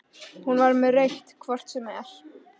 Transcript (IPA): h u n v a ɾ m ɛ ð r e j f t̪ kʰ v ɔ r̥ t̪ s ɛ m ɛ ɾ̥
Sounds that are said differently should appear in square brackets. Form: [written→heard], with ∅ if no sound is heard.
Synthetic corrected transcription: h u n v a ɾ m ɛ ð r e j [f→h] t̪ kʰ v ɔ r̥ t̪ s ɛ m ɛ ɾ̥

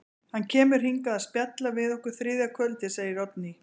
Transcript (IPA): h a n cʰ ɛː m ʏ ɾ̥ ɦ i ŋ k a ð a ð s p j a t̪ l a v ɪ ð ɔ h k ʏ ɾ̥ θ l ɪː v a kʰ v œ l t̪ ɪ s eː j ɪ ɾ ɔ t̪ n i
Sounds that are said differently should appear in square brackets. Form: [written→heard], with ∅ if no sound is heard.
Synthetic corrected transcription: h a n cʰ ɛː m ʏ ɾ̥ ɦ i ŋ k a ð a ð s p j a t̪ l a v ɪ ð ɔ h k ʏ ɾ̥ θ [l→ɾ] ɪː [v→ð] a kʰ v œ l t̪ ɪ s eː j ɪ ɾ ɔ t̪ n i

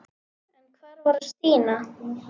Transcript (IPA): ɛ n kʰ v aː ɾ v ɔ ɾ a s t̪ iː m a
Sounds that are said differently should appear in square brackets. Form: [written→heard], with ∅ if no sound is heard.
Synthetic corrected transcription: ɛ n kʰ v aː ɾ v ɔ ɾ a s t̪ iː [m→n] a

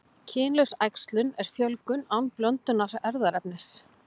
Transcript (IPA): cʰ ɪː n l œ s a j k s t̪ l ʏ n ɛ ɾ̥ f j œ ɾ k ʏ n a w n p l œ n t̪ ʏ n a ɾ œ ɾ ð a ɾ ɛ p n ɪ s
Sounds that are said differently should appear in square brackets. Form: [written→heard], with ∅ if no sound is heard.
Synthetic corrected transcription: cʰ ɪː n l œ s a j k s t̪ l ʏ n ɛ ɾ̥ f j œ [ɾ→l] k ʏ n a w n p l œ n t̪ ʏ n a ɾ [œ→ɛ] ɾ ð a ɾ ɛ p n ɪ s

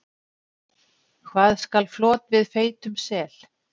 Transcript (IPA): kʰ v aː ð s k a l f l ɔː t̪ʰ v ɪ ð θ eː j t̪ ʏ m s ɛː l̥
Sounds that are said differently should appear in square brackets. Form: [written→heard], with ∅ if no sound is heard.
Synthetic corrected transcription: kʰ v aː ð s k a l f l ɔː [t̪ʰ→t̪] v ɪ ð [θ→f] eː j t̪ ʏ m s ɛː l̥

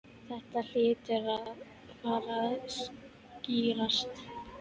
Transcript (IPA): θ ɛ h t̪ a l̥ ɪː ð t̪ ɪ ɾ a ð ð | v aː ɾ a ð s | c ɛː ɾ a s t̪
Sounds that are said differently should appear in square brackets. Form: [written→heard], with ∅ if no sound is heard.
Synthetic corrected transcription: θ ɛ h t̪ a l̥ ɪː [ð→∅] t̪ ɪ ɾ a ð ð | [v→f] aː ɾ a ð s | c [ɛː→iː] ɾ a s t̪

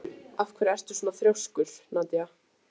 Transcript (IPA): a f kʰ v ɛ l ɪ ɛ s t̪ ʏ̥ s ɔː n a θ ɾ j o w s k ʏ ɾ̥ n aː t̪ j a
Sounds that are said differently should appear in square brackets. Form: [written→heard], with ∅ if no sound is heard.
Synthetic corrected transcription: a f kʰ v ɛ [l→ɾ] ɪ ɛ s t̪ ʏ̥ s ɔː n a θ ɾ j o w s k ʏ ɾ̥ n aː t̪ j a

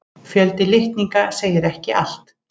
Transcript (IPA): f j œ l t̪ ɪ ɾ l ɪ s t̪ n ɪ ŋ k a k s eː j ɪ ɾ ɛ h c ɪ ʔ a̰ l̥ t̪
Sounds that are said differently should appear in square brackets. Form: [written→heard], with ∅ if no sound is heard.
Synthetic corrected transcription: f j œ l t̪ ɪ [ɾ→∅] l ɪ [s→h] t̪ n [ɪ→i] ŋ k a [k→∅] s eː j ɪ ɾ ɛ h c ɪ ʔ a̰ l̥ t̪

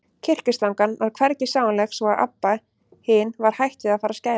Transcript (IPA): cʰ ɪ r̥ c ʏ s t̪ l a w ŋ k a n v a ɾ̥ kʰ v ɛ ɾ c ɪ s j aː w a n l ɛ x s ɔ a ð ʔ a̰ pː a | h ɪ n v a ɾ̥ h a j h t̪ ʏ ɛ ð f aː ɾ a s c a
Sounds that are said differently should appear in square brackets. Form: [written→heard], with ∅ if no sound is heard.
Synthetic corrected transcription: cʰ ɪ r̥ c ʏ s t̪ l a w ŋ k a n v a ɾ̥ kʰ v ɛ ɾ c ɪ s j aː w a n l ɛ x s ɔ a ð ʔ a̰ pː a | h ɪ n v a ɾ̥ h a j h t̪ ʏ [ɛ→a] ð f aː ɾ a s c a

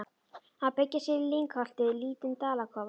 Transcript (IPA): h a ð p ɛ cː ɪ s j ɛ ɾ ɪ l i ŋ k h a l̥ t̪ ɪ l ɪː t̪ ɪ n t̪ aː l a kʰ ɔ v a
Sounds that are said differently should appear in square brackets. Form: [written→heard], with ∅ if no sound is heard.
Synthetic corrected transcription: h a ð p ɛ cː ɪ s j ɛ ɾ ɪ l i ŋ k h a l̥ t̪ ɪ l [ɪː→iː] t̪ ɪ n t̪ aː l a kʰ ɔ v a

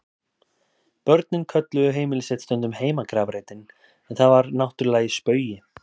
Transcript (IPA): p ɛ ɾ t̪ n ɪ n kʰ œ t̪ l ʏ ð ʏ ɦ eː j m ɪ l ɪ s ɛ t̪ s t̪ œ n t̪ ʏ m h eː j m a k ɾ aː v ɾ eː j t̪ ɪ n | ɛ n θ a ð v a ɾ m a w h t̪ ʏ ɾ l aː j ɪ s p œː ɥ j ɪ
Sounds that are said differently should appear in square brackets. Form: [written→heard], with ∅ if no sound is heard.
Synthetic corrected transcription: p [ɛ→œ] ɾ t̪ n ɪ n kʰ œ t̪ l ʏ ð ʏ ɦ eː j m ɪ l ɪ s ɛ t̪ s t̪ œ n t̪ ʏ m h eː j m a k ɾ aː v ɾ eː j t̪ ɪ n | ɛ n θ a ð v a ɾ [m→n] a w h t̪ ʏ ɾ l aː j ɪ s p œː ɥ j ɪ

